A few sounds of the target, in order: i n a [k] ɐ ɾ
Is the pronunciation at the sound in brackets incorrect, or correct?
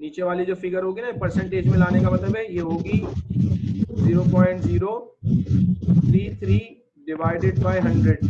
incorrect